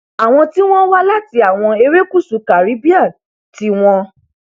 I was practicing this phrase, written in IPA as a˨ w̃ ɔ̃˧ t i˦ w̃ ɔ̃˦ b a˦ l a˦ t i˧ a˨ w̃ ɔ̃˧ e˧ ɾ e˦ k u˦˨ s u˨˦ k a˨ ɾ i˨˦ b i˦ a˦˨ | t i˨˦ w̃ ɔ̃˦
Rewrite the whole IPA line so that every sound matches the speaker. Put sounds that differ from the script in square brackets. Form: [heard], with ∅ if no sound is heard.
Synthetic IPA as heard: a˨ w̃ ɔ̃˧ t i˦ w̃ ɔ̃˦ [w] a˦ l a˦ t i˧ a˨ w̃ ɔ̃˧ e˧ ɾ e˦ k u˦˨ s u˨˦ k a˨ ɾ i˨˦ b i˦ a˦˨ | t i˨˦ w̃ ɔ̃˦